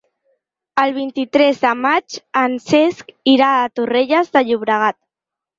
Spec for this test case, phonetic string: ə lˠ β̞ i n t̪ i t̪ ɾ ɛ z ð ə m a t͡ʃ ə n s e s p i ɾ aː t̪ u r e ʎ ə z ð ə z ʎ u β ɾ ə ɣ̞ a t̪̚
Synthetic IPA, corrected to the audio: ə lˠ β̞ i n t̪ i t̪ ɾ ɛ z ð ə m a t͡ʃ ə n s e s k i ɾ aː t̪ u r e ʎ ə z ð ə ʎ u β ɾ ə ɣ̞ a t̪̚

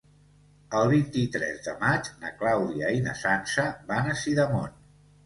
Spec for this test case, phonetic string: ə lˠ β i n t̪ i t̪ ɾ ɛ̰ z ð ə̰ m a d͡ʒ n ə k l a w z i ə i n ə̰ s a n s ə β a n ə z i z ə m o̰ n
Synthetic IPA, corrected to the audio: ə lˠ β i n t̪ i t̪ ɾ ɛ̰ z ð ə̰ m a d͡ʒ n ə k l a w ð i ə i n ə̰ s a n s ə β a n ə s i ð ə m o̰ n

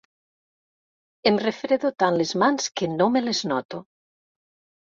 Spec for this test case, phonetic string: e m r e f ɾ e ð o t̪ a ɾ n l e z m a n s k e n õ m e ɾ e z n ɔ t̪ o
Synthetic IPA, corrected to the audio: e m r e f ɾ e ð o t̪ a n l e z m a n s k e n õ m e l e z n ɔ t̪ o

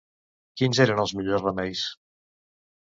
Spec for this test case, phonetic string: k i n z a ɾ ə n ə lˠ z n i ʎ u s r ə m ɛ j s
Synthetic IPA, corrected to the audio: k i n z e ɾ ə n ə lˠ z m i ʎ o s r ə m ɛ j s

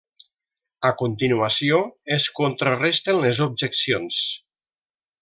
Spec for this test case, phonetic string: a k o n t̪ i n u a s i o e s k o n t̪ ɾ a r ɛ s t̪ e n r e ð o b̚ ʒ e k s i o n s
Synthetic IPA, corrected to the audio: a k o n t̪ i n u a s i o e s k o n t̪ ɾ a r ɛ s t̪ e n l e z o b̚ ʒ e k s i o n s

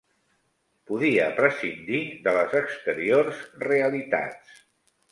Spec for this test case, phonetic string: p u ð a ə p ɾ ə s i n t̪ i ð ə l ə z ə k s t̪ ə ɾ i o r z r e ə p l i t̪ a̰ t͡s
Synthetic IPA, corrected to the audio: p u ð i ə p ɾ ə s i n d̪ i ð ə l ə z ə k s t̪ ə ɾ i o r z r e ə l i t̪ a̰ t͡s

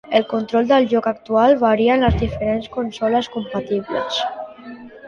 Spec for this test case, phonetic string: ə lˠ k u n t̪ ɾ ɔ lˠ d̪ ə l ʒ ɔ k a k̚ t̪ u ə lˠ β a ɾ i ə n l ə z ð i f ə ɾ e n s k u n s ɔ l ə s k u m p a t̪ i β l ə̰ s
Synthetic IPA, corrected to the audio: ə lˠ k u n t̪ ɾ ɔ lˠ d̪ ə l ʒ ɔ k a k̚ t̪ u a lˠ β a ɾ i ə n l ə z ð i f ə ɾ e n s k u n s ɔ l ə s k u m p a t̪ i β l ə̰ s

